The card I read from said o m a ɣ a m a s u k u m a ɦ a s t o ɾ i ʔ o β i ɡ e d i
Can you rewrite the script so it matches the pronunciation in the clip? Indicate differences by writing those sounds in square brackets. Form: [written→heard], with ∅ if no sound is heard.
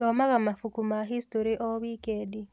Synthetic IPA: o m a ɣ a m a [s→f] u k u m a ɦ [a→i] s t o ɾ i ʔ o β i [ɡ→k] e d i